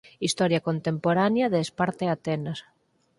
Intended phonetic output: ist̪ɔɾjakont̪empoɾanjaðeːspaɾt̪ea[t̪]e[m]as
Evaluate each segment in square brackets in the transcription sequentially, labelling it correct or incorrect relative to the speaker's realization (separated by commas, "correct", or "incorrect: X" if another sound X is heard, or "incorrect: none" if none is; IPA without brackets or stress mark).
correct, incorrect: n